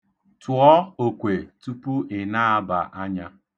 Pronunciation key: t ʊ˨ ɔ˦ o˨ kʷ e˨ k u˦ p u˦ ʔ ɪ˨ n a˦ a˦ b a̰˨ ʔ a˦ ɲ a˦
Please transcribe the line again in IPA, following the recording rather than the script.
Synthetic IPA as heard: t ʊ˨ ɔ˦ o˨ kʷ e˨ t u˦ p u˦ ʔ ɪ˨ n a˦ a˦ b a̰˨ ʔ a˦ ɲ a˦